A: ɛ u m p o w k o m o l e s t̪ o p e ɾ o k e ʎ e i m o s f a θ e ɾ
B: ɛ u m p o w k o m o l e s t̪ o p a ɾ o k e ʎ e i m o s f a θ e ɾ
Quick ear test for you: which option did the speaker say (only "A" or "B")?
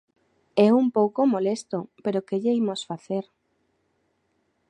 A